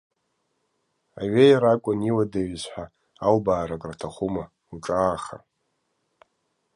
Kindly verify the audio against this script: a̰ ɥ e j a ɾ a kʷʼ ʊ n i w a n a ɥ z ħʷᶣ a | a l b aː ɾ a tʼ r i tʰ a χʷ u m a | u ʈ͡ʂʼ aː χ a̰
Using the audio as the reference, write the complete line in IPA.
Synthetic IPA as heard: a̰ ɥ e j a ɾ a kʷʼ ʊ n i w a d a ɥ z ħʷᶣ a | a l b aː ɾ a kʼ r a tʰ a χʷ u m a | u ʈ͡ʂʼ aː χ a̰